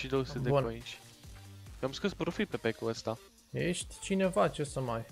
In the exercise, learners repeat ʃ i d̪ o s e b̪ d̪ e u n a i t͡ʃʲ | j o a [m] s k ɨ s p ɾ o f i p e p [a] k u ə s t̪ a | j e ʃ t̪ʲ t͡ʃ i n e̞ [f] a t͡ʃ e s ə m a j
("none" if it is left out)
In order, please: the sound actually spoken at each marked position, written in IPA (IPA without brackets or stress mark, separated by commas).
m, e, v